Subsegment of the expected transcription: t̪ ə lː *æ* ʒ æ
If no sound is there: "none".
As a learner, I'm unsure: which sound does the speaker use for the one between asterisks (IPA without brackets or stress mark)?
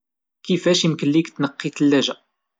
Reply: æ